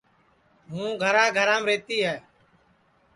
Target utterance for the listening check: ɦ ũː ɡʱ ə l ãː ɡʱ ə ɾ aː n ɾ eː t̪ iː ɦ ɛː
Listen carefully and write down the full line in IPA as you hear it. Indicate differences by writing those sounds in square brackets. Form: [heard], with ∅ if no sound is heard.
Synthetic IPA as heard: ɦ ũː ɡʱ ə [ɾ] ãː ɡʱ ə ɾ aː [m] ɾ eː t̪ iː ɦ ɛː